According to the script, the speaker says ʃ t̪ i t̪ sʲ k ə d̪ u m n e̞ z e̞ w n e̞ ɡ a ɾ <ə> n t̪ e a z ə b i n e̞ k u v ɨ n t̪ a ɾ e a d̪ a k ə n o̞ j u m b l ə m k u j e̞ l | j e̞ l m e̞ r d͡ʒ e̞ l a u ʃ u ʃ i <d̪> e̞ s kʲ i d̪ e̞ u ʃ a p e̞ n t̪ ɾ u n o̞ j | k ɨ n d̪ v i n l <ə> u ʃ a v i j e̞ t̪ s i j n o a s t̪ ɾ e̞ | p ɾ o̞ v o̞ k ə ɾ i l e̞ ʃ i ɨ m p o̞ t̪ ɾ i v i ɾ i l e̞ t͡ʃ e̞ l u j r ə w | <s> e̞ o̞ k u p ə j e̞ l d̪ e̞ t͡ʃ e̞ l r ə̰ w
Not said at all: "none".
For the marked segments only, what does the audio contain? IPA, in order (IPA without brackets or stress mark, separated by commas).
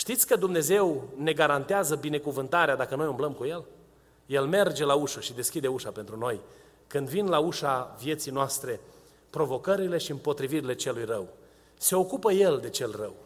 a, d̪, a, s